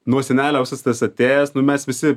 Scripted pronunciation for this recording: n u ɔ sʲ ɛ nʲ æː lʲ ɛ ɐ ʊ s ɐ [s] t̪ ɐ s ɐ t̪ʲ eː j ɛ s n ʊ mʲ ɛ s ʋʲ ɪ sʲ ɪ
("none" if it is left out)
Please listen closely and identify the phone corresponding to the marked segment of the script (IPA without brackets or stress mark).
s